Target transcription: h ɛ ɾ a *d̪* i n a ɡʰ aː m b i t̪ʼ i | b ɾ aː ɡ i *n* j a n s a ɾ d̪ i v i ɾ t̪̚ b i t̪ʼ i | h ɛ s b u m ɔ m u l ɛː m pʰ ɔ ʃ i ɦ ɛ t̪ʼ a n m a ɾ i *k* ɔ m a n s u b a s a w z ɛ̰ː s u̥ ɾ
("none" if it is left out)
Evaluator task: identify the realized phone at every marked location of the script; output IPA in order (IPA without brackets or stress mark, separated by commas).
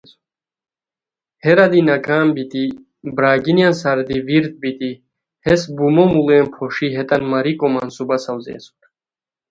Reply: d̪, n, kʼ